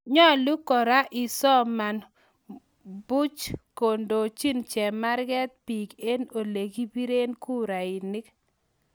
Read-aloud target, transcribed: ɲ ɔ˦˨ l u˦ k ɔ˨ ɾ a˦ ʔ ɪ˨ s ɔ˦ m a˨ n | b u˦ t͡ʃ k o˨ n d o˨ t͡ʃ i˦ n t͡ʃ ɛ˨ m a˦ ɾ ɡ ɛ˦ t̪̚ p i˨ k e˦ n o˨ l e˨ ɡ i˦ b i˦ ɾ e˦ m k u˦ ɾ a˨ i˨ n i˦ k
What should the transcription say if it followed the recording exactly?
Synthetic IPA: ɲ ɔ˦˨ l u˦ k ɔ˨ ɾ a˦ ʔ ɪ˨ s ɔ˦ m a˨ n | b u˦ t͡ʃ k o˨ n d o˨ t͡ʃ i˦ n t͡ʃ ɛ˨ m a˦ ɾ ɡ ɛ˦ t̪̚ p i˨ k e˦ n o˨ l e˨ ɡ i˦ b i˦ ɾ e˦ n k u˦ ɾ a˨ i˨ n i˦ k